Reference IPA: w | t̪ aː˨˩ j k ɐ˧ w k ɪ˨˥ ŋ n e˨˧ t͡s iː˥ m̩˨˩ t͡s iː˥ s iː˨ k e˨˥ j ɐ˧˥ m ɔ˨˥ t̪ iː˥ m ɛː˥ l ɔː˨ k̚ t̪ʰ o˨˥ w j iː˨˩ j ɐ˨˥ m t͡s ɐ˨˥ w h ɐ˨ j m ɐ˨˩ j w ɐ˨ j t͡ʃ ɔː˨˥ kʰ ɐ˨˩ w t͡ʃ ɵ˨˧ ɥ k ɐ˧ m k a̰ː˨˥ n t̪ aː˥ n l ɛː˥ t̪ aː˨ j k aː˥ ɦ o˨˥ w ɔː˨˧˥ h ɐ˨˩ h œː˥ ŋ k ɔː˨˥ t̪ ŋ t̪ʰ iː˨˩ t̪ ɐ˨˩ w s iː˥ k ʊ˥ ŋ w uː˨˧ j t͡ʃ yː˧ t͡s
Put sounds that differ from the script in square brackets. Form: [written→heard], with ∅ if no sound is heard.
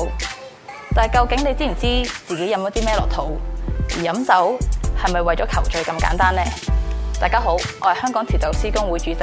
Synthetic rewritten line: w | t̪ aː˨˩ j k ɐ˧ w k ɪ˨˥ ŋ n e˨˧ t͡s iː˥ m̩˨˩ t͡s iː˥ [s→t͡s] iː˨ k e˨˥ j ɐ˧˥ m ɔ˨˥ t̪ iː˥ m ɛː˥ l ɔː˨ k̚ t̪ʰ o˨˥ w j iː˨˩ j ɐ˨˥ m t͡s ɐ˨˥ w h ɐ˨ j m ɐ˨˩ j w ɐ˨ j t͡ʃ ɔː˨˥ kʰ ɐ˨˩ w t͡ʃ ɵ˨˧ ɥ k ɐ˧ m k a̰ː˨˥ n t̪ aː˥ n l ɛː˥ t̪ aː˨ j k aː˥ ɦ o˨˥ w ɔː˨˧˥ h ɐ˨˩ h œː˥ ŋ k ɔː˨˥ [t̪→∅] ŋ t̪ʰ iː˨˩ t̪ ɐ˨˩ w s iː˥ k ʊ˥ ŋ w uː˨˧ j t͡ʃ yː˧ t͡s